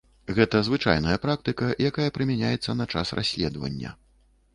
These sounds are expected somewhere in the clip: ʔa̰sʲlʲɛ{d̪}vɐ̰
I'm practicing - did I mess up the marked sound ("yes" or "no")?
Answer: no